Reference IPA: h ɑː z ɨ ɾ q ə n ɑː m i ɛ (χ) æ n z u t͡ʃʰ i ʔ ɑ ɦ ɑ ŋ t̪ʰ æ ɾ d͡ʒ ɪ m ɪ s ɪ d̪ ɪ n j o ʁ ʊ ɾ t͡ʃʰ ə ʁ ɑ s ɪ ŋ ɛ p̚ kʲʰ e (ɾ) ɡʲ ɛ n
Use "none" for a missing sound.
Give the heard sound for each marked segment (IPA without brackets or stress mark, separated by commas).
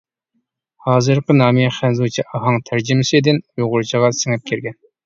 χ, ɾ